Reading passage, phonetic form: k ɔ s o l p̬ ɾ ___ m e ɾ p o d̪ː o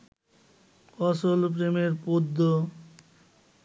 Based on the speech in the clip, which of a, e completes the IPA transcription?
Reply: e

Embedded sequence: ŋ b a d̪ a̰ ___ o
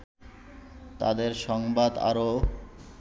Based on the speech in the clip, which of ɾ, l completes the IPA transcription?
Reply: ɾ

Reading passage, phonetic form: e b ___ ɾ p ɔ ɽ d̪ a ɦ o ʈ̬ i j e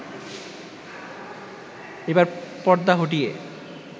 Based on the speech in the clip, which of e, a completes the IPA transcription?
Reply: a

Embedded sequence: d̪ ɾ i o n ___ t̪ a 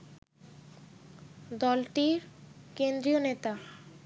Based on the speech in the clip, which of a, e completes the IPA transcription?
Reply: e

